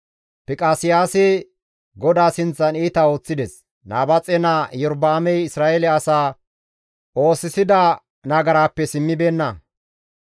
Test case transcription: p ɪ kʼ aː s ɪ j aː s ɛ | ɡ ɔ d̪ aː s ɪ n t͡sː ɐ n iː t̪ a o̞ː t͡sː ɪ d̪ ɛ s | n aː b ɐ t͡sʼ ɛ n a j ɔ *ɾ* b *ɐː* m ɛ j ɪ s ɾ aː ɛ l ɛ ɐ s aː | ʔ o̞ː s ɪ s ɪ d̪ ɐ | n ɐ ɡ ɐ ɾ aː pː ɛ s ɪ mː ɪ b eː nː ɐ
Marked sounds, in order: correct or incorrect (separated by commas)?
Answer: correct, incorrect